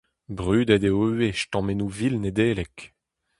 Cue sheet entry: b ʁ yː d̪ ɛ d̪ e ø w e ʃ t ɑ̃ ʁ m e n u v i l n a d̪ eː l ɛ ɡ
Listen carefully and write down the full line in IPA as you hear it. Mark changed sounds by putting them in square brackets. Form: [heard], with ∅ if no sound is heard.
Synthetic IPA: b ʁ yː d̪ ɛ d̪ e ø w e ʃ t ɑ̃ [∅] m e n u v i l n [e] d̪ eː l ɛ [k]